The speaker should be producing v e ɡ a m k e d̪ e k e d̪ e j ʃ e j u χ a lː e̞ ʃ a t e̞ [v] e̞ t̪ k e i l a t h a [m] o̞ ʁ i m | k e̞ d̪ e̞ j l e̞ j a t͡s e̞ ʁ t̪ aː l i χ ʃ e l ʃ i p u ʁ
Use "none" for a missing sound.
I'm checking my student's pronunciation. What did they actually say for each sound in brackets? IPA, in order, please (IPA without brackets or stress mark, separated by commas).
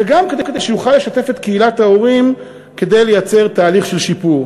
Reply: f, none